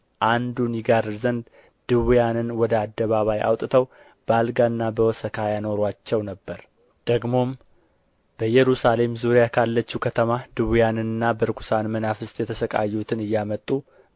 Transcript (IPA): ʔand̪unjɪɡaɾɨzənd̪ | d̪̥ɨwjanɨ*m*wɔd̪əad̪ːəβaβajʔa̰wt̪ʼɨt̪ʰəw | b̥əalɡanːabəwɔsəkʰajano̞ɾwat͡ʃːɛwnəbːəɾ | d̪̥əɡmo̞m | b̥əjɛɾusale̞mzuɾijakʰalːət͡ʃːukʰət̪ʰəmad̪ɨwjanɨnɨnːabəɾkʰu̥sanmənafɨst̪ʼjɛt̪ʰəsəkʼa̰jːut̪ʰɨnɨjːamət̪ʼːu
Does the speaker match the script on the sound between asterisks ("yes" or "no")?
no